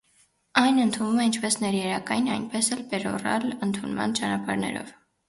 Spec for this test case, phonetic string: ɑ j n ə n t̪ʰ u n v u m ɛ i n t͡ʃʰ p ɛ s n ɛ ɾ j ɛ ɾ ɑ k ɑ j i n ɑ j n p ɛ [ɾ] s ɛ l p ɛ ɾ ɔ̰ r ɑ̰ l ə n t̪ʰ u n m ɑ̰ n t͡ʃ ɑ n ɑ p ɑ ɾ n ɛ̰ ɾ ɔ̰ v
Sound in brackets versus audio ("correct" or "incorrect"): incorrect